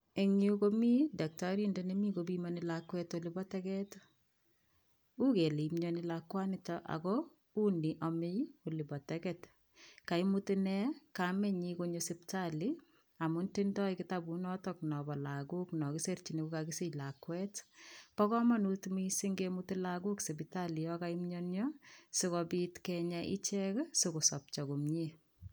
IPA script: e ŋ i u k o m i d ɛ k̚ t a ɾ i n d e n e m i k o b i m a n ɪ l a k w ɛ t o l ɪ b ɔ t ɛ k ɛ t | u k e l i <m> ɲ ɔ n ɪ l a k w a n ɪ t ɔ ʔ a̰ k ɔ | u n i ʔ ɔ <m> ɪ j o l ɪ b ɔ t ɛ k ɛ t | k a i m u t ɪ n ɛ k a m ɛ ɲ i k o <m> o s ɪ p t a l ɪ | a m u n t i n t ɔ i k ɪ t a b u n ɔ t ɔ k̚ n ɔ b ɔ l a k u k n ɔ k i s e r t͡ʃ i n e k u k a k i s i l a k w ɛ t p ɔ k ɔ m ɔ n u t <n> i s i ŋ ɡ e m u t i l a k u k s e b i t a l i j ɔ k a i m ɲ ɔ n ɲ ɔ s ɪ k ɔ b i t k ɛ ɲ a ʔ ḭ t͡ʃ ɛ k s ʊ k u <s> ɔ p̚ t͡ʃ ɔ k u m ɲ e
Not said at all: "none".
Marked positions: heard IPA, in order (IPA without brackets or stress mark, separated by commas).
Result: m, m, ɲ, m, s